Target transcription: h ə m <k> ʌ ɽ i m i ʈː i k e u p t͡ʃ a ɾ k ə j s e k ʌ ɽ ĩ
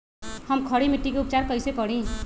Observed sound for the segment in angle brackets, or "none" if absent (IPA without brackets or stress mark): kʰ